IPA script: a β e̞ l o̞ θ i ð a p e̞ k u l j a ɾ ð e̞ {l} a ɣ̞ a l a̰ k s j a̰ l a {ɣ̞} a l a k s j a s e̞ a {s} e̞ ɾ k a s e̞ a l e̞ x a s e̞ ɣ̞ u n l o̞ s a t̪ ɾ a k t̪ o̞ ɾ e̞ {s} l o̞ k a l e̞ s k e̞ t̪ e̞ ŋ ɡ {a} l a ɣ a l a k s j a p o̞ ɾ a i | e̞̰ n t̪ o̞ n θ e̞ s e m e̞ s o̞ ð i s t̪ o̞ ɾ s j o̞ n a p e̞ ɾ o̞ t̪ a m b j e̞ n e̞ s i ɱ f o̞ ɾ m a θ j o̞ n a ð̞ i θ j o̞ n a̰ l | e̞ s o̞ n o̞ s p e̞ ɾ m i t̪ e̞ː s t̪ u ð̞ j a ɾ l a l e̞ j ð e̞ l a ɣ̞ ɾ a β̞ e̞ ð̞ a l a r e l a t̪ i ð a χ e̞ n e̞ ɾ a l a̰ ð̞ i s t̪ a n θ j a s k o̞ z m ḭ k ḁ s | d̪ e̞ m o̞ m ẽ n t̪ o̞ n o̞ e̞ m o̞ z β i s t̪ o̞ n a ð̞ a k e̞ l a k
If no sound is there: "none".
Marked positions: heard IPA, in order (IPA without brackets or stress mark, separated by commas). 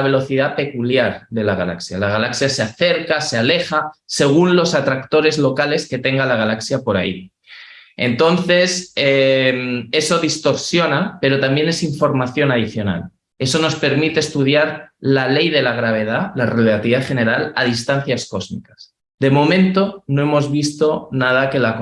l, ɣ̞, θ, z, a